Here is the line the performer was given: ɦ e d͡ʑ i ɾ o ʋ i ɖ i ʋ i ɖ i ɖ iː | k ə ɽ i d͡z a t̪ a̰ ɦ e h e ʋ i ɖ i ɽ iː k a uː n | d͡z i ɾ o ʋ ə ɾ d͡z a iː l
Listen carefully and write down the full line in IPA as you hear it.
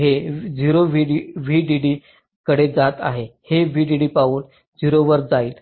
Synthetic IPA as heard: ɦ e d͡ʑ i ɾ o ʋ i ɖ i ʋ i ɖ i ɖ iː | k ə ɽ e d͡z a t̪ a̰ ɦ e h e ʋ i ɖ i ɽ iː p a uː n | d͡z i ɾ o ʋ ə ɾ d͡z a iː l